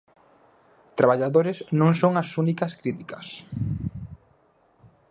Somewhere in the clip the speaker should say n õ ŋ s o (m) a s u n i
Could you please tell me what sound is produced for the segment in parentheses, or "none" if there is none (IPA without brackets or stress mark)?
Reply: ŋ